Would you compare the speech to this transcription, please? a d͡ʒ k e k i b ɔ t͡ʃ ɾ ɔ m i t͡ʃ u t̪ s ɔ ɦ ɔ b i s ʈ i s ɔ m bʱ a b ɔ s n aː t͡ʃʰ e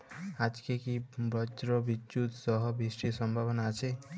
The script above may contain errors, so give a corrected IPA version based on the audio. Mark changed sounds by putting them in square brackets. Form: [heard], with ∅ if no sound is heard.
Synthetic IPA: a d͡ʒ k e k i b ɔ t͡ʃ ɾ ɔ [b] i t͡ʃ u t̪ s ɔ ɦ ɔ b i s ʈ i s ɔ m bʱ a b ɔ [∅] n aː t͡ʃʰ e